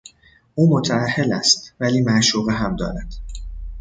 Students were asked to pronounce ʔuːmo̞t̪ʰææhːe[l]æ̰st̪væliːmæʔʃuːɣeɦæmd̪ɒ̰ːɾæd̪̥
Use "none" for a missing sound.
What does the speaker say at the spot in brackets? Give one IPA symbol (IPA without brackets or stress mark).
l